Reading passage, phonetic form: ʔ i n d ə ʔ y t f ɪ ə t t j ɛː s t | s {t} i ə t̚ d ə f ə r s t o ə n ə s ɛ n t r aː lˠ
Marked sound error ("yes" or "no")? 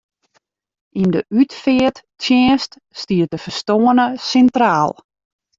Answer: no